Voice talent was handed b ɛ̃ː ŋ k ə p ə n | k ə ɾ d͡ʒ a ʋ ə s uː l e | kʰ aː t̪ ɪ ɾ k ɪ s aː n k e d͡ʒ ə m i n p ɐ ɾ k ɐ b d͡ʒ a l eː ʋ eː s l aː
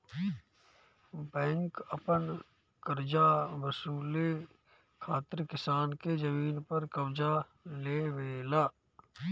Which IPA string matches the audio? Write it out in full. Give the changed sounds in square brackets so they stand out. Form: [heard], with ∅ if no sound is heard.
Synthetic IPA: b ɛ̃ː ŋ k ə p ə n | k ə ɾ d͡ʒ a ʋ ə s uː l e | kʰ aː t̪ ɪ ɾ k ɪ s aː n k e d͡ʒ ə m [iː] n p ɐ ɾ k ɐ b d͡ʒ a l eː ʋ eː [∅] l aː